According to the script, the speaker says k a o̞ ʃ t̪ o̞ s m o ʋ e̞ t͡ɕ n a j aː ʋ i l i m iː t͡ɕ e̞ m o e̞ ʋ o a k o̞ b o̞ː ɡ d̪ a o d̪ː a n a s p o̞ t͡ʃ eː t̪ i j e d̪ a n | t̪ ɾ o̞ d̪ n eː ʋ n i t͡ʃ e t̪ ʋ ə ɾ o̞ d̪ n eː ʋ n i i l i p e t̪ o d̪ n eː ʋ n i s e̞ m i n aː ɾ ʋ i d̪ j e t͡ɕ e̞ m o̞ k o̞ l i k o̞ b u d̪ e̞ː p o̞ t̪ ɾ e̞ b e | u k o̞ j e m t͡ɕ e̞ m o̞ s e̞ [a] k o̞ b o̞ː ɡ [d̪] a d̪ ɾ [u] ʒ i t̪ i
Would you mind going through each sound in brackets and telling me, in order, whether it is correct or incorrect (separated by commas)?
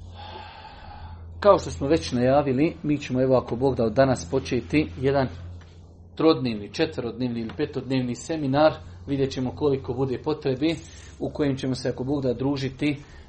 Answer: correct, correct, incorrect